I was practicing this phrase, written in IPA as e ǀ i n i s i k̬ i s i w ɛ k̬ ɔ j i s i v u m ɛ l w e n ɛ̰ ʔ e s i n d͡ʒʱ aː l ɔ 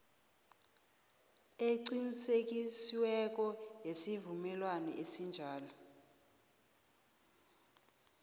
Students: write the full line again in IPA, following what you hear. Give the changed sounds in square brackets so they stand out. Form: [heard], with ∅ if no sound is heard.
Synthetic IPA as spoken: e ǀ i n i s [e] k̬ i s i w ɛ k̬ ɔ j [e] s i v u m ɛ l w [a] n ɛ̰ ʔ e s i n d͡ʒʱ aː l ɔ